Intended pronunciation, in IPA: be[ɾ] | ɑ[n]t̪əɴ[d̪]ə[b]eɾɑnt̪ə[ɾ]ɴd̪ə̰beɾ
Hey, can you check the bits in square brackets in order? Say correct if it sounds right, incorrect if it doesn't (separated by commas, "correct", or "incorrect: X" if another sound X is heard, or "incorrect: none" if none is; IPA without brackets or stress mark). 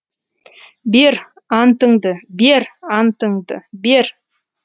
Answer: correct, correct, correct, correct, incorrect: none